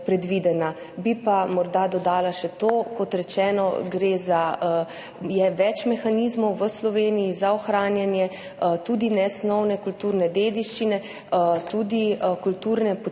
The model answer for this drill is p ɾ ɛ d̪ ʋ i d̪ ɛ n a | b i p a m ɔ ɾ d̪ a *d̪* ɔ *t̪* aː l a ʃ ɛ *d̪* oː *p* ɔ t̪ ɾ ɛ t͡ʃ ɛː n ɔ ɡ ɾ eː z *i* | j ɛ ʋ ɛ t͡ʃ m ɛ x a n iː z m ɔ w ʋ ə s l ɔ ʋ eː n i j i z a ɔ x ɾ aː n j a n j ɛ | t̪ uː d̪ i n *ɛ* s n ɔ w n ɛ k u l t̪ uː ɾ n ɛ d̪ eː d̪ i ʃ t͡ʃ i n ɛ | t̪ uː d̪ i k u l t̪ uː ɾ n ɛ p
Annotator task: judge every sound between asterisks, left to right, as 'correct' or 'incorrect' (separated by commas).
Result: correct, incorrect, incorrect, incorrect, incorrect, correct